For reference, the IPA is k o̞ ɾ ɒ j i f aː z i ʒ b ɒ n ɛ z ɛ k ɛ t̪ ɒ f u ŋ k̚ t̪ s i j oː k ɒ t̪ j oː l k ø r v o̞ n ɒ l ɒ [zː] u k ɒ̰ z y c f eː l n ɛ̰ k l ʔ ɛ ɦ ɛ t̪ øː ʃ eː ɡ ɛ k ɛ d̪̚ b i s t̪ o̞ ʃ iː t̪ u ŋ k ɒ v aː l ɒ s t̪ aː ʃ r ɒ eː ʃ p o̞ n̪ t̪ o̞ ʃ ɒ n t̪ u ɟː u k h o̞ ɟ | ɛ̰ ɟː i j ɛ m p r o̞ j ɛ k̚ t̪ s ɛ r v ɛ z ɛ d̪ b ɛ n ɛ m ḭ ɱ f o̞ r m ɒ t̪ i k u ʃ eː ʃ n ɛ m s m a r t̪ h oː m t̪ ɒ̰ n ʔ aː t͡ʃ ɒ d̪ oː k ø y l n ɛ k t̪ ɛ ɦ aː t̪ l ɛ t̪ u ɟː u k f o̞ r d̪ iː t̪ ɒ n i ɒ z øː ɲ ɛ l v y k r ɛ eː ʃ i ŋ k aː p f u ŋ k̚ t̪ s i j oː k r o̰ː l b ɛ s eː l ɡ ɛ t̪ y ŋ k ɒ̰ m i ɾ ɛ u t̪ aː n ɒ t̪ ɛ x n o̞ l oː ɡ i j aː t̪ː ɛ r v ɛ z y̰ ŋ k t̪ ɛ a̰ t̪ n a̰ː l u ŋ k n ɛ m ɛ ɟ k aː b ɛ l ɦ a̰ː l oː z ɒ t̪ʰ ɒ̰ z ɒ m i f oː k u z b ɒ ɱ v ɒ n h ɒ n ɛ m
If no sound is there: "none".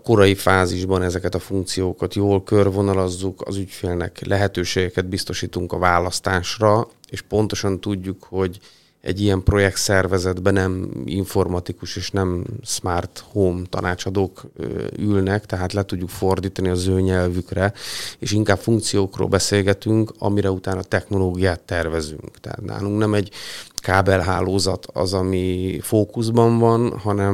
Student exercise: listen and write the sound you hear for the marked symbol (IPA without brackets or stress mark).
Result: zː